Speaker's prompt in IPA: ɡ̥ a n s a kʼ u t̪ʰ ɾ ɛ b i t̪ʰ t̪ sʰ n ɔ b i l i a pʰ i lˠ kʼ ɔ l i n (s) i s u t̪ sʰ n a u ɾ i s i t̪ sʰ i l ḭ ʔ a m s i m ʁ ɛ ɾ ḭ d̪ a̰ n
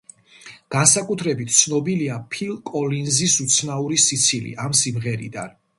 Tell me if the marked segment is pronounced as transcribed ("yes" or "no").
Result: no